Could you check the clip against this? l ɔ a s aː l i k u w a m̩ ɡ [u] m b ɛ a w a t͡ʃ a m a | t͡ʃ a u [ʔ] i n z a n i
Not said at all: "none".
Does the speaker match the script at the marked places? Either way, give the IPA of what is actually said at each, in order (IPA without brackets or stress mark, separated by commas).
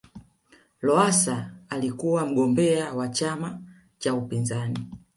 ɔ, p